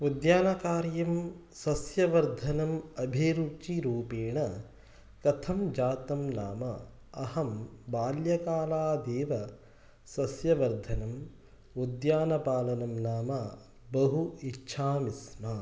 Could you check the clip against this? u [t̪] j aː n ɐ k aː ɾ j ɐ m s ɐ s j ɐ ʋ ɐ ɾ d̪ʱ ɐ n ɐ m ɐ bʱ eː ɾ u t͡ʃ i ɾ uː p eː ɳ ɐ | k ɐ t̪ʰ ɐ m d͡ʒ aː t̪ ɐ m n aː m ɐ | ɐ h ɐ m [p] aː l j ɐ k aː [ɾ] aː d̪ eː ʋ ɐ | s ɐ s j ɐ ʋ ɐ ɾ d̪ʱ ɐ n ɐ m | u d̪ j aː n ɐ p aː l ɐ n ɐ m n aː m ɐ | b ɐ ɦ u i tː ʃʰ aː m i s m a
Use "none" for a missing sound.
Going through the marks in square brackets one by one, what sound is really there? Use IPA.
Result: d̪, b, l

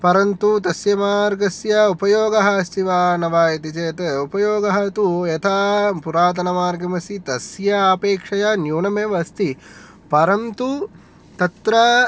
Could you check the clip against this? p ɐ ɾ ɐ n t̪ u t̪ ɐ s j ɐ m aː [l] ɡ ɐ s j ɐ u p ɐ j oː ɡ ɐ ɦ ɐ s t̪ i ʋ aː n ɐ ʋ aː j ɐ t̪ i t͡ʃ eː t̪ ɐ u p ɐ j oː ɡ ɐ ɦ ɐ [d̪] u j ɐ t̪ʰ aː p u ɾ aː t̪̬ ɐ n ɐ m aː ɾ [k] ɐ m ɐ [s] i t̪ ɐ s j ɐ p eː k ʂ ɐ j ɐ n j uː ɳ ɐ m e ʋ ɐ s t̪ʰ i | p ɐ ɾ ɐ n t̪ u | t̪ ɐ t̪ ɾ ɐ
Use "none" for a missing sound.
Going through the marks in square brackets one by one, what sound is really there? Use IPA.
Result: ɾ, t̪, ɡ, s

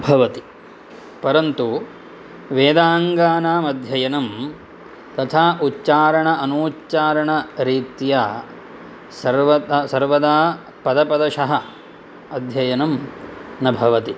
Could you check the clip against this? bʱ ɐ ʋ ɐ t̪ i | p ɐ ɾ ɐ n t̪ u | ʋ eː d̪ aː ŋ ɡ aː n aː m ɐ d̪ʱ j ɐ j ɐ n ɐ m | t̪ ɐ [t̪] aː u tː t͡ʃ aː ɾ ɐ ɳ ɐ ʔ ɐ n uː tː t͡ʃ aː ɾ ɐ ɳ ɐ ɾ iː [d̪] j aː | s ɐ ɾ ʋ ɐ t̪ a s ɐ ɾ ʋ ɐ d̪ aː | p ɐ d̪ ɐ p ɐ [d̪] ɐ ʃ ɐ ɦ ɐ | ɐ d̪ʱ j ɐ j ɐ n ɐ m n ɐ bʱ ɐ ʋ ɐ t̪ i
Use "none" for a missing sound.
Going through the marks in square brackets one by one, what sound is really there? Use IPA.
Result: t̪ʰ, t̪, d̪

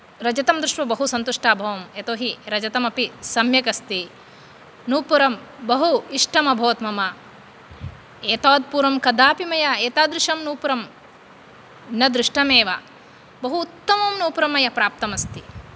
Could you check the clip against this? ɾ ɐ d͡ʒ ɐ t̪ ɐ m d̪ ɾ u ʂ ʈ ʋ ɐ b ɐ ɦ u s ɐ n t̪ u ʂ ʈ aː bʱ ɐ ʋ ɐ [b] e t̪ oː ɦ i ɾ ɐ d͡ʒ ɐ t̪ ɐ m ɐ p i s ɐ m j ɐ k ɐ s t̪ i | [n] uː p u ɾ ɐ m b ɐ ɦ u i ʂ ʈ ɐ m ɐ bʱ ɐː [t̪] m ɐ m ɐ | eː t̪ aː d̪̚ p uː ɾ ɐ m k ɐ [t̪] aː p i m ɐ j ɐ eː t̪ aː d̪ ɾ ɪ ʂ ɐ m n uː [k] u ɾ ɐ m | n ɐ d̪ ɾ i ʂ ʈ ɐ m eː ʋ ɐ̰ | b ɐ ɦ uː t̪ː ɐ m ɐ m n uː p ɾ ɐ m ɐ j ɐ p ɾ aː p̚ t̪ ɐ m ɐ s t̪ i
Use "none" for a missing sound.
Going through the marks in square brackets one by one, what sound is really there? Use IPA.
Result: m, n, t̪, d̪, p

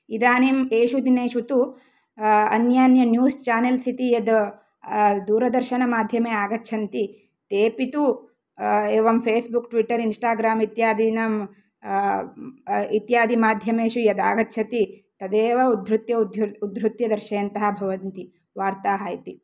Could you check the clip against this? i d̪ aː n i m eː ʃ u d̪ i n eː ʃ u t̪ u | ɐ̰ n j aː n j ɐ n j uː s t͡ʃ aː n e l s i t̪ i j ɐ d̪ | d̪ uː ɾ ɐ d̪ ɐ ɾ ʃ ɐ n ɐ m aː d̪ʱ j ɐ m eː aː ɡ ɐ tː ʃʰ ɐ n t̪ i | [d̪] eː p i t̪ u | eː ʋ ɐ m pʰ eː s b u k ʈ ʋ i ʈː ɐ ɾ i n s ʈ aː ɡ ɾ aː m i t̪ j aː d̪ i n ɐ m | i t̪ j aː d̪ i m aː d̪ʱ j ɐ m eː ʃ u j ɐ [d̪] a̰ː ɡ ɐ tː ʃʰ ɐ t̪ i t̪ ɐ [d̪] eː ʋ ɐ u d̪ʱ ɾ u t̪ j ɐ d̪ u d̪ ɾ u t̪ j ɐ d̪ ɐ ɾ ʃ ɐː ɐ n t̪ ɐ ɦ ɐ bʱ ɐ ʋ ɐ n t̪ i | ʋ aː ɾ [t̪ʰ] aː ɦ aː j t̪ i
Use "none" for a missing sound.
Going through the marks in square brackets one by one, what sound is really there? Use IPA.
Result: t̪, d̪, d̪, t̪

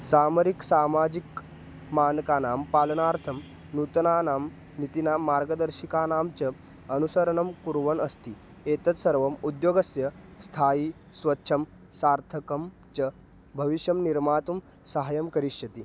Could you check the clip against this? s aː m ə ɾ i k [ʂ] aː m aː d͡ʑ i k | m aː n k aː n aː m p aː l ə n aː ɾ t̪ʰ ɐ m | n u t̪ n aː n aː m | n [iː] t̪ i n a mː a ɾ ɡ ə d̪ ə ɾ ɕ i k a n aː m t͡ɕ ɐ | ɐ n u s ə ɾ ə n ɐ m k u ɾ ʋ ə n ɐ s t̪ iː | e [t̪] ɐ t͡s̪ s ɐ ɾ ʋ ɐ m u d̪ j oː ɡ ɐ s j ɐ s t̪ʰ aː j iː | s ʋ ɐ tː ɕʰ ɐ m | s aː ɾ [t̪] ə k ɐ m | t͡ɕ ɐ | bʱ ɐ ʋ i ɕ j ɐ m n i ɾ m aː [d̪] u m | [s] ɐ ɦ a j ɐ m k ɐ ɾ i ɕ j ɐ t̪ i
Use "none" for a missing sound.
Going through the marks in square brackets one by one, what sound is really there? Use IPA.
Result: s, i, t̪, t̪ʰ, t̪, s

